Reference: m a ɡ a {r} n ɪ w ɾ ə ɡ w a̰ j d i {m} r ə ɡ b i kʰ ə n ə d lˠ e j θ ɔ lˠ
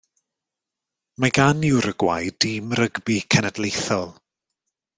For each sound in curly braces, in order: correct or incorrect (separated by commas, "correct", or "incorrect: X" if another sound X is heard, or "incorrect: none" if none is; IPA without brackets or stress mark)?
incorrect: none, correct